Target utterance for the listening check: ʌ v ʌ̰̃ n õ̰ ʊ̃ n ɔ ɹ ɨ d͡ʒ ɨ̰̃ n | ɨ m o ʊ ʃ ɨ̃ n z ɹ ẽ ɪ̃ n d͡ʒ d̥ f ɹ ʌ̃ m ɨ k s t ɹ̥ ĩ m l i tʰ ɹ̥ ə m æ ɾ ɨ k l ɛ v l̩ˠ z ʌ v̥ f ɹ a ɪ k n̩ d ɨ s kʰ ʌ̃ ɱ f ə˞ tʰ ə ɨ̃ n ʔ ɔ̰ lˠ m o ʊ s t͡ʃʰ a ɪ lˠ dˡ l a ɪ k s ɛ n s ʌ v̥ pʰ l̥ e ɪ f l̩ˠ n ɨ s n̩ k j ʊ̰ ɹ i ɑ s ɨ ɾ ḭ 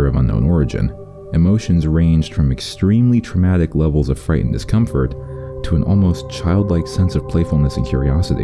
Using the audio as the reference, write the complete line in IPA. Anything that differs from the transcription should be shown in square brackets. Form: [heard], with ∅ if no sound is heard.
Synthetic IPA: ʌ v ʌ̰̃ n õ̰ ʊ̃ n ɔ ɹ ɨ d͡ʒ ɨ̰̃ n | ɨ m o ʊ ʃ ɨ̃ n z ɹ ẽ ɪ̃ n d͡ʒ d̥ f ɹ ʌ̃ m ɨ k s t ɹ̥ ĩ m l i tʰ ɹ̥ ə m æ ɾ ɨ k l ɛ v l̩ˠ z ʌ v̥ f ɹ a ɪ [ʔ] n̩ d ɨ s kʰ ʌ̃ ɱ f ə˞ tʰ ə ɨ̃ n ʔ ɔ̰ lˠ m o ʊ s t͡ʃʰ a ɪ lˠ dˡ l a ɪ k s [ɛ̃] n s ʌ v̥ pʰ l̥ e ɪ f l̩ˠ n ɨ s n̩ [kʰ] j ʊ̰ ɹ i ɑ s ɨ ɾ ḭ